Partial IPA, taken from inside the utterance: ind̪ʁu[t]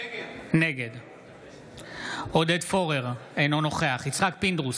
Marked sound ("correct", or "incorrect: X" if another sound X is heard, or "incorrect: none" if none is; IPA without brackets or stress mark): incorrect: s